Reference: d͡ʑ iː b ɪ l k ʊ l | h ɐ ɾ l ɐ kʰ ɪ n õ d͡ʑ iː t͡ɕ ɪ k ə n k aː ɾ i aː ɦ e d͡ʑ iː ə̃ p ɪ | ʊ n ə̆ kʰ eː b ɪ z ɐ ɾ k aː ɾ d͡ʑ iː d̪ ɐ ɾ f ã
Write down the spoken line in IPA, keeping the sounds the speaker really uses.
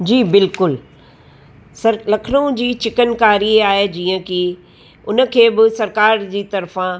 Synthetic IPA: d͡ʑ iː b ɪ l k ʊ l | s ɐ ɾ l ɐ kʰ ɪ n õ d͡ʑ iː t͡ɕ ɪ k ə n k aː ɾ i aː ɦ e d͡ʑ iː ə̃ k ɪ | ʊ n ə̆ kʰ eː b ɪ s ɐ ɾ k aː ɾ d͡ʑ iː t̪ ɐ ɾ f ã